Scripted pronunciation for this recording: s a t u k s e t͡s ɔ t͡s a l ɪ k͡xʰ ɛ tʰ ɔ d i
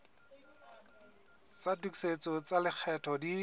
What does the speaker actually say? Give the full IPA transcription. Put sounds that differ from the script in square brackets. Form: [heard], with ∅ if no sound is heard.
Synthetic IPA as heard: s a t u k s e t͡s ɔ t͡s a l ɪ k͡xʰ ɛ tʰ ɔ d i